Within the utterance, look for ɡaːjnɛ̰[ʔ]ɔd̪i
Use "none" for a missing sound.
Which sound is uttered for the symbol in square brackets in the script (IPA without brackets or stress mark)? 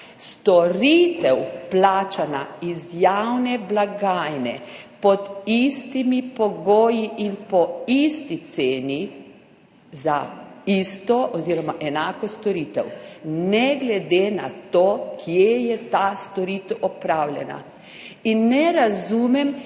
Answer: p